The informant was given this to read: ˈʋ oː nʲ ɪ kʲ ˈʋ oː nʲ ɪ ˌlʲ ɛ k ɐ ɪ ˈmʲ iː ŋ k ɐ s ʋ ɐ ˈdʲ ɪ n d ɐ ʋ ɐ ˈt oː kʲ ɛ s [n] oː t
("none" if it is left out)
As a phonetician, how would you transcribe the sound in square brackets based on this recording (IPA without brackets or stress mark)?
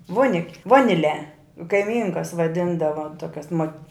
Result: m